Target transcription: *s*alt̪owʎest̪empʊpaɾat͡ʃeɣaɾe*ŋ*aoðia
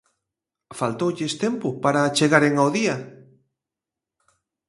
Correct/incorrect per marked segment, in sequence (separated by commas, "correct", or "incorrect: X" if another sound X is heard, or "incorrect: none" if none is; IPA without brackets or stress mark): incorrect: f, correct